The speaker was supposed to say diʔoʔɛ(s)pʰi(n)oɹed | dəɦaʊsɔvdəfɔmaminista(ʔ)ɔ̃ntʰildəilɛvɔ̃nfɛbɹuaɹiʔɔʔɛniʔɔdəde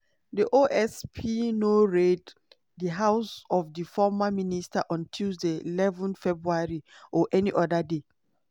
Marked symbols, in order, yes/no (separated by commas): yes, yes, yes